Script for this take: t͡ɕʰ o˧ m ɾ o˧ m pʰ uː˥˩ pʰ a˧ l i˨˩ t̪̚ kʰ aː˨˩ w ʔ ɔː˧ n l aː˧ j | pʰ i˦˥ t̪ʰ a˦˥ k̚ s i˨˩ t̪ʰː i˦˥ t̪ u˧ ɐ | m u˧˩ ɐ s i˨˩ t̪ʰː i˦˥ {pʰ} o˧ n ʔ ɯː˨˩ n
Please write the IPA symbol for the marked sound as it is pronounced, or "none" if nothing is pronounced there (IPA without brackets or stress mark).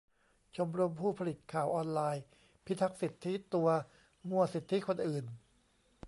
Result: kʰ